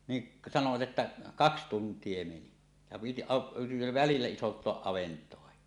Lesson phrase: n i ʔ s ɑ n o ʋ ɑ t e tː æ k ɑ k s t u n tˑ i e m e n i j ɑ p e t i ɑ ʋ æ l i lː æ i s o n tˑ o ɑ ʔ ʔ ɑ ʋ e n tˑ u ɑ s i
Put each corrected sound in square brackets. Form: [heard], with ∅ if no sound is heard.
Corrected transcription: n i ʔ s ɑ n o ʋ ɑ t e tː æ k ɑ k s t u n tˑ i e m e n i j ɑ p [i] t i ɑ ʋ æ l i lː æ i s o n tˑ o ɑ ʔ ʔ ɑ ʋ e n tˑ [o] ɑ [h] i